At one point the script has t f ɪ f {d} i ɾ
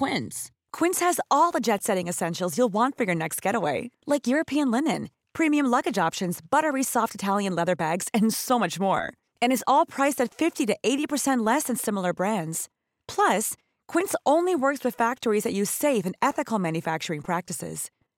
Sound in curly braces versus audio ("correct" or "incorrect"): incorrect